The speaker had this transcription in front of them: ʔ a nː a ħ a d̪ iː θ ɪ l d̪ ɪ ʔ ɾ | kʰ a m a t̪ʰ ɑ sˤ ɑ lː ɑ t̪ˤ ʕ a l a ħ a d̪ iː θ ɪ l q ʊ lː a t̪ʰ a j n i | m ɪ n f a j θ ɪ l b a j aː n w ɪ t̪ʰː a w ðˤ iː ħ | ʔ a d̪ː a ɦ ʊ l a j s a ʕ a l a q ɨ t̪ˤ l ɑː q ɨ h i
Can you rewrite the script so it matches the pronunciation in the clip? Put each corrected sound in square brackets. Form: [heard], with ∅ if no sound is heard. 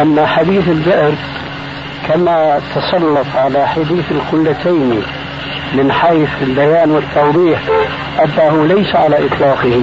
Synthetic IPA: ʔ a nː a ħ a d̪ iː θ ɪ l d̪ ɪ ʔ ɾ | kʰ a m a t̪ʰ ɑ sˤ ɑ lː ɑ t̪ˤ ʕ a l a ħ a d̪ iː θ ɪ l q ʊ lː a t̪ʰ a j n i | m ɪ n [ħ] a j θ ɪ l b a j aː n w ɪ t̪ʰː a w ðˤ iː ħ | ʔ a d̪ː a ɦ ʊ l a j s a ʕ a l a [ʔ] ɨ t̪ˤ l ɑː q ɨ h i